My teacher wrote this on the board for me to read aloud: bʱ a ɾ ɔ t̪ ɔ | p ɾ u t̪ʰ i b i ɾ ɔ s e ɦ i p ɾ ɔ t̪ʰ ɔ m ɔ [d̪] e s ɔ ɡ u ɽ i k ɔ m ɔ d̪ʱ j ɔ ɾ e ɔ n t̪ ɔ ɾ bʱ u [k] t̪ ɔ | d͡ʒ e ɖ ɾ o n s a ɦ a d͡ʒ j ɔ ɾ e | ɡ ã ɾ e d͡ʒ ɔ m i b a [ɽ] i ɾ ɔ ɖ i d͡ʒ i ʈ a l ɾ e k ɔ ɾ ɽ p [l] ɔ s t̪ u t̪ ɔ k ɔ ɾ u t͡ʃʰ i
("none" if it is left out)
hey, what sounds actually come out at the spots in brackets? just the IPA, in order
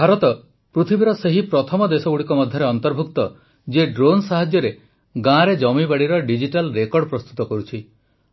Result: d̪, k, ɽ, ɾ

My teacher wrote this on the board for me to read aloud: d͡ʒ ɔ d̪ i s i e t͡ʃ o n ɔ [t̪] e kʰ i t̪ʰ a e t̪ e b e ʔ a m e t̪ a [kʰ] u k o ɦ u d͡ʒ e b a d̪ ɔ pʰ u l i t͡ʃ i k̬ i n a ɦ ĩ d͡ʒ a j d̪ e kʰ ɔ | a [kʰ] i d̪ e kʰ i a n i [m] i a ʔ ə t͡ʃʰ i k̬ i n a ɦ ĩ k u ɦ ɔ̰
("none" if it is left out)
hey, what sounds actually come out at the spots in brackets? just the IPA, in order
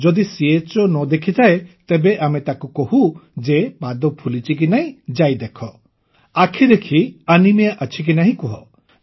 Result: d̪, k, kʰ, m

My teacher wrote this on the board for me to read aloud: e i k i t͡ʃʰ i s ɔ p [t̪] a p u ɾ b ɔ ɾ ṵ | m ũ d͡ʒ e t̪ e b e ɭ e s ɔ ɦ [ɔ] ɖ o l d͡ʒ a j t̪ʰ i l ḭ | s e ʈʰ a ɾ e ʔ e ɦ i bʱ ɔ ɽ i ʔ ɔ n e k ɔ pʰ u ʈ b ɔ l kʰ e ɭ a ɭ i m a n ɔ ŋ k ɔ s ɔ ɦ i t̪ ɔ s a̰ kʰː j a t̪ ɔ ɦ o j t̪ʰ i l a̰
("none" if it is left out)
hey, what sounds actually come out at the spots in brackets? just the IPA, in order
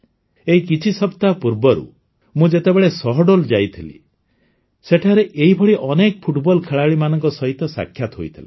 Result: t̪, ɔ

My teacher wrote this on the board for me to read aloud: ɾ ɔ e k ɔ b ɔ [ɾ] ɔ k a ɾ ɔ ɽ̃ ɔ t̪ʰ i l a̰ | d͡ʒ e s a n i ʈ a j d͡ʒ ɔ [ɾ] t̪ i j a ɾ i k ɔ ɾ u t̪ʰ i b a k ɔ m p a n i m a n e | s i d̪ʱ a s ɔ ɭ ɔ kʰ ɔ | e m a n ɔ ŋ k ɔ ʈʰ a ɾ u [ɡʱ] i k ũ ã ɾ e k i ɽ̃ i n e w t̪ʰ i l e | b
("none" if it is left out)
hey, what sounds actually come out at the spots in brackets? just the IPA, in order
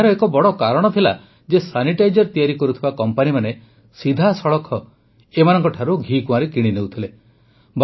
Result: ɽ, ɾ, ɡʱ

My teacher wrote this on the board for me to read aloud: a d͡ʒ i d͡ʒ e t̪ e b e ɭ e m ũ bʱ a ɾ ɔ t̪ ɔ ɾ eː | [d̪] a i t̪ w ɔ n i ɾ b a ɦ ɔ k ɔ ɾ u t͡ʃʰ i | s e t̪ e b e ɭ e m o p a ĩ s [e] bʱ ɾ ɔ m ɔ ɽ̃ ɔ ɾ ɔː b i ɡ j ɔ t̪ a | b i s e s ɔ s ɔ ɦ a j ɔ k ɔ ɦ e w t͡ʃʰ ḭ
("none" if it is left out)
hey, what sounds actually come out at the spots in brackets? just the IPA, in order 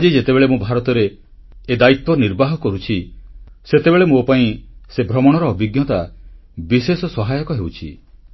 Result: d̪, e

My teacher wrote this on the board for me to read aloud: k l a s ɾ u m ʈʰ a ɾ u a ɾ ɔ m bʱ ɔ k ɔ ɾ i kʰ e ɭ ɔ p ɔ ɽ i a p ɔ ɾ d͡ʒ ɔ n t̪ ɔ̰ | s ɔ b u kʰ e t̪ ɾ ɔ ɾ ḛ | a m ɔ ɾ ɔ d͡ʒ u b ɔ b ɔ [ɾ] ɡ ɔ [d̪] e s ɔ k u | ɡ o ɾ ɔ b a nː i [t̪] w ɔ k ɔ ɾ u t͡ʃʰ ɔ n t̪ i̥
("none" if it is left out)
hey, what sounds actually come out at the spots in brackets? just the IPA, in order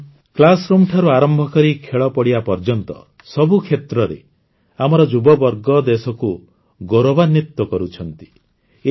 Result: ɾ, d̪, t̪

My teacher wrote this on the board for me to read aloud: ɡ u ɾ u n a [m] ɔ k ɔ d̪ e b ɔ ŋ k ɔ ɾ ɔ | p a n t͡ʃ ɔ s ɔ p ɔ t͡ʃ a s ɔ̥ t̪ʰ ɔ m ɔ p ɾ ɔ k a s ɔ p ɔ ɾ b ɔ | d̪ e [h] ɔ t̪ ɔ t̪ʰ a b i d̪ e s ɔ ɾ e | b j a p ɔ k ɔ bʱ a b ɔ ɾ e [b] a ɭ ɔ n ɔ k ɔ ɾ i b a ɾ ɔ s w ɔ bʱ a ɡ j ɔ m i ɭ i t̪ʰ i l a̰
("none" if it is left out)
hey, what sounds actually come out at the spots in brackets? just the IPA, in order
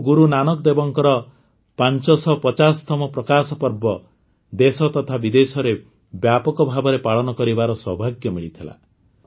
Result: n, s, p

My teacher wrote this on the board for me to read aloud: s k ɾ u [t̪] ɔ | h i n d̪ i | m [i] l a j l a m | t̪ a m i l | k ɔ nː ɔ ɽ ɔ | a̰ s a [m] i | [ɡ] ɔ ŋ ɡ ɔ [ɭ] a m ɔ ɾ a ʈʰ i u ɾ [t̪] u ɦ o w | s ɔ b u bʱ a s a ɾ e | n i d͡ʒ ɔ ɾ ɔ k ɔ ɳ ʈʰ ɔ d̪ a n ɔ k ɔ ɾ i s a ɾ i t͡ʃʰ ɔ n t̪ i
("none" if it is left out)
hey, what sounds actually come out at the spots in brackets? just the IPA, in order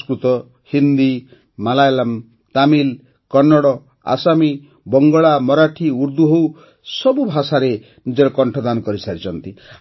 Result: t̪, a, m, b, ɭ, d̪

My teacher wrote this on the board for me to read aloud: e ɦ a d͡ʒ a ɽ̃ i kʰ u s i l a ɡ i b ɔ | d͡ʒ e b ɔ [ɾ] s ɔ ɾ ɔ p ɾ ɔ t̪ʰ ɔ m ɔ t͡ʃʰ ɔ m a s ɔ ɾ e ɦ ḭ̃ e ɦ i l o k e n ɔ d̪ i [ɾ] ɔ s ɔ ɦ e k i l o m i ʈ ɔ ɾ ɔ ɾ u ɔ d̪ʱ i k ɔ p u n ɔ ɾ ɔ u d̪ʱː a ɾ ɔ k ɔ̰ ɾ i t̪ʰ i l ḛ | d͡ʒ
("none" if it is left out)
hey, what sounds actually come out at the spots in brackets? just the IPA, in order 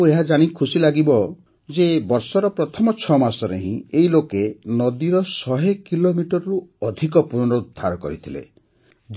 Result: ɾ, ɾ

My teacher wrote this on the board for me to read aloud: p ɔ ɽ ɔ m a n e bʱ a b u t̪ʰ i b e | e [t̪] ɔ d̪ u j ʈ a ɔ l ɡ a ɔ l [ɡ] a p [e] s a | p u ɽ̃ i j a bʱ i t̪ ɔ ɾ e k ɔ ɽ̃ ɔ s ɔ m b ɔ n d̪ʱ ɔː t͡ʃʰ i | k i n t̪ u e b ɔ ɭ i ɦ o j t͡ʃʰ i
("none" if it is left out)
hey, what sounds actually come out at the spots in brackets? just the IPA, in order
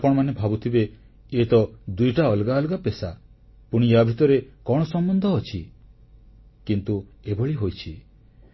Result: t̪, ɡ, e

